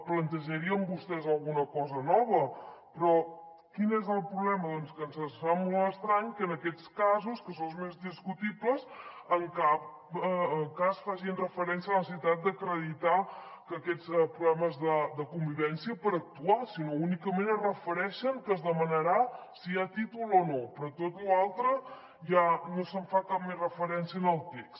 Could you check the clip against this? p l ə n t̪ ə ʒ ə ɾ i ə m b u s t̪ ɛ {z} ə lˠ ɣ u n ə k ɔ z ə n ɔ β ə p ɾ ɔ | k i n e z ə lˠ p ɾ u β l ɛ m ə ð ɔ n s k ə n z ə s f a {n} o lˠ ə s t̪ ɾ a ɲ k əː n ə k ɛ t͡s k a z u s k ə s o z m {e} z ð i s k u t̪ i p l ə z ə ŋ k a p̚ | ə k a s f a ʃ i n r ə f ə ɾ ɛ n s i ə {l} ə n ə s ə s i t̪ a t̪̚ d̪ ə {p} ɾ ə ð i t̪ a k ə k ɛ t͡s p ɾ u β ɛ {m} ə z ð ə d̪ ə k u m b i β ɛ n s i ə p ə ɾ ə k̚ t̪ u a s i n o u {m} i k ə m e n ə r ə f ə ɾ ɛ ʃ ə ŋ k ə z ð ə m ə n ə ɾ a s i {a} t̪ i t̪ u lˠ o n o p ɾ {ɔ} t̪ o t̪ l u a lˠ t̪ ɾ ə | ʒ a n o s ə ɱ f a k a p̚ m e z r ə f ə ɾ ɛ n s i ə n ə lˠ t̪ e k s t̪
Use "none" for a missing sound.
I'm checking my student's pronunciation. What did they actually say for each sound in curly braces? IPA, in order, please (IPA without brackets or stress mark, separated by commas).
z, m, e, l, k, m, n, a, ɔ